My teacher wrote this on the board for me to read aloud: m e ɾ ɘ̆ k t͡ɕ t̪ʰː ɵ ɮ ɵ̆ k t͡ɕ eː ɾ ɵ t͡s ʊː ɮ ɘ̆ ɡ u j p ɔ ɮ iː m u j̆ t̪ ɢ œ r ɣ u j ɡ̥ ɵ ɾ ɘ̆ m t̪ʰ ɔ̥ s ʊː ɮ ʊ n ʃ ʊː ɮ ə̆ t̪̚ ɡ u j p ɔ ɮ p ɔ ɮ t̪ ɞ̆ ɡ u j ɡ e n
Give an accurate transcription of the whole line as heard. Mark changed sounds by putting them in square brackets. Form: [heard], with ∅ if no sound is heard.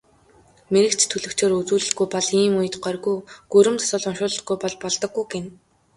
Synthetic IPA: m e ɾ ɘ̆ k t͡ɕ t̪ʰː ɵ ɮ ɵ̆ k t͡ɕ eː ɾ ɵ t͡s [uː] ɮ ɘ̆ ɡ u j p ɔ ɮ iː m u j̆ t̪ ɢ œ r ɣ u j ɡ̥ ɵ ɾ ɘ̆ m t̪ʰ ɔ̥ s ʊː ɮ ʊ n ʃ ʊː ɮ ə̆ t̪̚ ɡ u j p ɔ ɮ p ɔ ɮ t̪ ɞ̆ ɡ u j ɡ e n